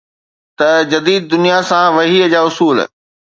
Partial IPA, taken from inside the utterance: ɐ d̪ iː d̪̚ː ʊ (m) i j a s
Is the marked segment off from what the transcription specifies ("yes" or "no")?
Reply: yes